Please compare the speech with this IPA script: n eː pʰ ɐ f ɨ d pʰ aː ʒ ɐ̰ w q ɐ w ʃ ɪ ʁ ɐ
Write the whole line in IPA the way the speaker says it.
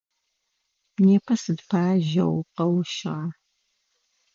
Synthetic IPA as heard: n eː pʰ ɐ s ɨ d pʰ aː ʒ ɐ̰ w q ɐ w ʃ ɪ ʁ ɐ